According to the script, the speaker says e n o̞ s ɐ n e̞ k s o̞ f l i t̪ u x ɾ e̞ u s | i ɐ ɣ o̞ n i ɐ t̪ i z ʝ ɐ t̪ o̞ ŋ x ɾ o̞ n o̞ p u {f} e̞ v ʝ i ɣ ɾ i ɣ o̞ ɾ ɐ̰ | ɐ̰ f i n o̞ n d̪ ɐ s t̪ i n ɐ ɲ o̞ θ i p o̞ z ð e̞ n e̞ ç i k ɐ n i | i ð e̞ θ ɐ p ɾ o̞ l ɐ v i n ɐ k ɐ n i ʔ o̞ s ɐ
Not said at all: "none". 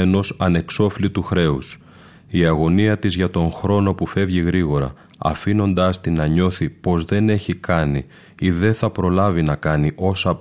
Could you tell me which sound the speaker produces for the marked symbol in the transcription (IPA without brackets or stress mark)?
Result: f